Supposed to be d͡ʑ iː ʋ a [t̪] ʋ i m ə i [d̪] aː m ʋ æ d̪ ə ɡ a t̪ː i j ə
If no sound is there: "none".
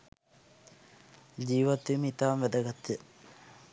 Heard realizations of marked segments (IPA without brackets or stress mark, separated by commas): t̪, t̪